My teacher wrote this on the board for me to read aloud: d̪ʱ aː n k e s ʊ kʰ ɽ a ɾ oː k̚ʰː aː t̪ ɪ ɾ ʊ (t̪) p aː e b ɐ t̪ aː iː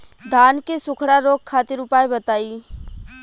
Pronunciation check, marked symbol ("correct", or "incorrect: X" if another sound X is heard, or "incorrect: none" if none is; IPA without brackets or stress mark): incorrect: none